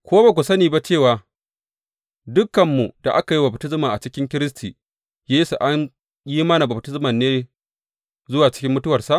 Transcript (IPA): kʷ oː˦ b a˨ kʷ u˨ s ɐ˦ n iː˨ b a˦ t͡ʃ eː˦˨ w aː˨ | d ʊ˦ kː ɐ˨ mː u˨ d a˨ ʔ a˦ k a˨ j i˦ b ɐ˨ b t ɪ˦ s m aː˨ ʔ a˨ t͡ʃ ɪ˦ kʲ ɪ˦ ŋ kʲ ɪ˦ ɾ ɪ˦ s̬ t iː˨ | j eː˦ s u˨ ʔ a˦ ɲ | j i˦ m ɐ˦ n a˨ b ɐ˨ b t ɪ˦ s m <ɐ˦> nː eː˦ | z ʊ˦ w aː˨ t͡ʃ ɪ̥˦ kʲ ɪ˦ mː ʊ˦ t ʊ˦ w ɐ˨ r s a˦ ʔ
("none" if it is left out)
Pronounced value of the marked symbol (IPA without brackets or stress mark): ɐ˨